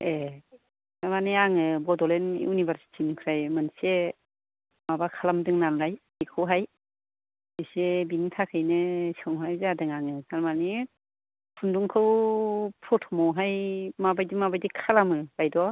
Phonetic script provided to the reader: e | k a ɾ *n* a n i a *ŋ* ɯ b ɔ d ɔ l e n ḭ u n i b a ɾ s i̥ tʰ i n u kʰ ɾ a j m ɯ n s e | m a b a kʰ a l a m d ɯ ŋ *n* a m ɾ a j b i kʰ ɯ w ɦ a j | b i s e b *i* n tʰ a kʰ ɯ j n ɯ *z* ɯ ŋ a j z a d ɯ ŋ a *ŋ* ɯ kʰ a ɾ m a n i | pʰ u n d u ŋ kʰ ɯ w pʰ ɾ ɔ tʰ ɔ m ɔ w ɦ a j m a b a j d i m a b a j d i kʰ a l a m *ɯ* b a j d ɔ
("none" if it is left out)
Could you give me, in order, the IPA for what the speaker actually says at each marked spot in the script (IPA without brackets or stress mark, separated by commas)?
m, ŋ, n, i, s, ŋ, ɯ